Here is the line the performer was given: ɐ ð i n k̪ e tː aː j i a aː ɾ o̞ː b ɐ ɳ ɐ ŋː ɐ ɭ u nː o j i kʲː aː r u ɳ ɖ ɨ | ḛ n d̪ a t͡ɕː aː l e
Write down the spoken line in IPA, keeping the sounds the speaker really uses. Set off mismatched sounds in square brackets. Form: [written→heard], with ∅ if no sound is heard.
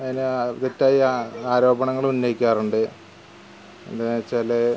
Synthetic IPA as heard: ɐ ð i n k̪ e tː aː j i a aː ɾ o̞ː b ɐ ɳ ɐ ŋː ɐ ɭ u nː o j i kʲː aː r u ɳ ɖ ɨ | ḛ n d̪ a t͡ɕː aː l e